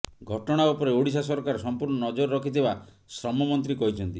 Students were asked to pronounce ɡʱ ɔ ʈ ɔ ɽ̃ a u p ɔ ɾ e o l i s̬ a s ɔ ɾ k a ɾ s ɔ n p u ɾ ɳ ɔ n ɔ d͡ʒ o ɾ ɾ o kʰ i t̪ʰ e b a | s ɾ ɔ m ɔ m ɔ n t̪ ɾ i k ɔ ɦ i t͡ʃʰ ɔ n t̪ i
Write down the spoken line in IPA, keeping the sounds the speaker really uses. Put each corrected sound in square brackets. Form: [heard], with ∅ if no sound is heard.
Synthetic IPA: ɡʱ ɔ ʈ ɔ ɽ̃ a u p ɔ ɾ e o [ɽ] i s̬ a s ɔ ɾ k a ɾ s ɔ [m] p u ɾ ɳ ɔ n ɔ d͡ʒ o ɾ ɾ [ɔ] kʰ i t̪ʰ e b a | s ɾ ɔ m ɔ m ɔ n t̪ ɾ i k ɔ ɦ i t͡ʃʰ ɔ n t̪ i